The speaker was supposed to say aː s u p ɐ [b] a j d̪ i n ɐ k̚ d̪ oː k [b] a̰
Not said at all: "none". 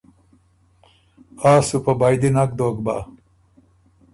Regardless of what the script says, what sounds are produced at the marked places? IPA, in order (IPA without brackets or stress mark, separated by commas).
b, b